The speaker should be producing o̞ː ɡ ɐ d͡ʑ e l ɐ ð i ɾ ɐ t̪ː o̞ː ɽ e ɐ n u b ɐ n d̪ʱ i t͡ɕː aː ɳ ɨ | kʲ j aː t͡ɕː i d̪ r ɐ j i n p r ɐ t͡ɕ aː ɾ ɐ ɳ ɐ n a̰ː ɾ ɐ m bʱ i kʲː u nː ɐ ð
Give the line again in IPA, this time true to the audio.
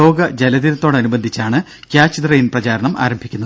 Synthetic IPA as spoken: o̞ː ɡ ɐ d͡ʑ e l ɐ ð i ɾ ɐ t̪ː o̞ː ɽ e ɐ n u b ɐ n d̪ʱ i t͡ɕː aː ɳ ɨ | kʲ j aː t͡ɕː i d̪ r ɐ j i n p r ɐ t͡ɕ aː ɾ ɐ ɳ ɐ m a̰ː ɾ ɐ m bʱ i kʲː u nː ɐ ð